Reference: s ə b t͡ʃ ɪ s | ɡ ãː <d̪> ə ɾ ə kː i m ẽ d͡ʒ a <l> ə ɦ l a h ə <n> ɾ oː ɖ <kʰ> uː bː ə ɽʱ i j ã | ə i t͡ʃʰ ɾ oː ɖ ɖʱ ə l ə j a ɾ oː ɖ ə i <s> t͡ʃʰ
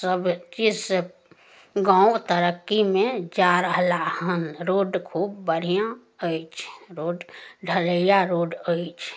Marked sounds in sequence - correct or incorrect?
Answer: incorrect, incorrect, correct, correct, incorrect

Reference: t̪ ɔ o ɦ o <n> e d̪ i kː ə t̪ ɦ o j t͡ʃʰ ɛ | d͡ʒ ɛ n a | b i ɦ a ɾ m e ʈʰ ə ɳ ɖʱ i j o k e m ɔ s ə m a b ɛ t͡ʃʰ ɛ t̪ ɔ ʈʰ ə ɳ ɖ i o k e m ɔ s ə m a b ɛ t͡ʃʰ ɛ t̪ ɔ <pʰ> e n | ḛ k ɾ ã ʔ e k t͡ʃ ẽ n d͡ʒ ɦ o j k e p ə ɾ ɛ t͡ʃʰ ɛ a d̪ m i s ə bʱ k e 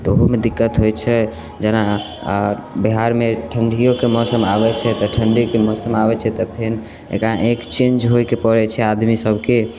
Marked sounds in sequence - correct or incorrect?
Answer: incorrect, correct

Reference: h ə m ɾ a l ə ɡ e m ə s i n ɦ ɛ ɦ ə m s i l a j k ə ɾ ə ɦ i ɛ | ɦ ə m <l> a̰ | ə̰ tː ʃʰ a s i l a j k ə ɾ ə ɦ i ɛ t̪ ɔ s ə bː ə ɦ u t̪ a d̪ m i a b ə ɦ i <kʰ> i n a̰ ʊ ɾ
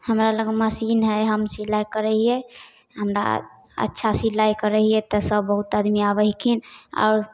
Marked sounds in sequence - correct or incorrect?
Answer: incorrect, correct

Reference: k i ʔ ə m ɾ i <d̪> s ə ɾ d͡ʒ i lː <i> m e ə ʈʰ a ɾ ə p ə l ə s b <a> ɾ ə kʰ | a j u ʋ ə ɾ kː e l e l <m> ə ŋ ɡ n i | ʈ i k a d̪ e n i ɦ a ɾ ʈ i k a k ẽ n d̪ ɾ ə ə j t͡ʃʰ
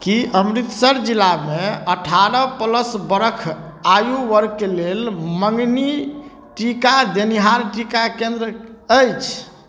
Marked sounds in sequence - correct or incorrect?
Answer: incorrect, incorrect, incorrect, correct

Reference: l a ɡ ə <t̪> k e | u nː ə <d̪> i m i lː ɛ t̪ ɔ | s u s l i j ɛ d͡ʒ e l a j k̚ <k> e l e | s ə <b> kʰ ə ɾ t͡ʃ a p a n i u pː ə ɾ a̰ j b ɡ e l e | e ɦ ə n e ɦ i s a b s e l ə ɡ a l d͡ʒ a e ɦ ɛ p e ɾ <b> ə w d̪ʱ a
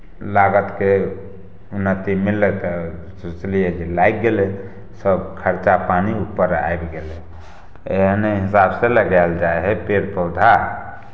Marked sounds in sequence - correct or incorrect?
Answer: correct, incorrect, incorrect, correct, incorrect

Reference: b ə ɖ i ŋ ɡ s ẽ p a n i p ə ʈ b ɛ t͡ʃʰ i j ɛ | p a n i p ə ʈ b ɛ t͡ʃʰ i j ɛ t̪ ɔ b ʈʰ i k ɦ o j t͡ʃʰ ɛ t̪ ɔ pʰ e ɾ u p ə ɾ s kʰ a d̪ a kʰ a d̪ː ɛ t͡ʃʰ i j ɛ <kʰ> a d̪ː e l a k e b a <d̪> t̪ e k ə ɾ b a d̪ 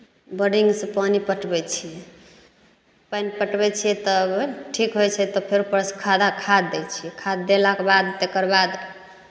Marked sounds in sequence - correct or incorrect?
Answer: correct, correct

